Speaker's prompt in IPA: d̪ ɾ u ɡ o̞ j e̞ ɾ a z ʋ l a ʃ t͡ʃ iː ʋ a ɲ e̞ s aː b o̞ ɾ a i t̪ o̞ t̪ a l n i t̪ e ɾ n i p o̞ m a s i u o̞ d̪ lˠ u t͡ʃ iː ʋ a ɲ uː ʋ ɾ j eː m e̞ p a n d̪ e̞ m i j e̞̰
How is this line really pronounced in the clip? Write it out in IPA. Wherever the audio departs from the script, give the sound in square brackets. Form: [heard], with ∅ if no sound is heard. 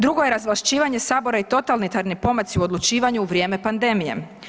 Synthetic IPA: d̪ ɾ u ɡ o̞ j e̞ ɾ a z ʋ l a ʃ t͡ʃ iː ʋ a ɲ e̞ s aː b o̞ ɾ a i t̪ o̞ t̪ a l n i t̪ [a] ɾ n i p o̞ m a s i u o̞ d̪ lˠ u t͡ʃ iː ʋ a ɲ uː ʋ ɾ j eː m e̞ p a n d̪ e̞ m i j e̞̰